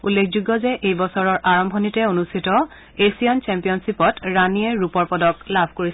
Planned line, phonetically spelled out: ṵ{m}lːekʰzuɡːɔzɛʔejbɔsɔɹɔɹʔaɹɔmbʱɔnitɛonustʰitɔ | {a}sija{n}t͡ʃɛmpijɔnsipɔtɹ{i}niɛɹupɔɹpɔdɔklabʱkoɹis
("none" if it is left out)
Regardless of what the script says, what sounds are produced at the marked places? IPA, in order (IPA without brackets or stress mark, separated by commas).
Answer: none, e, n, a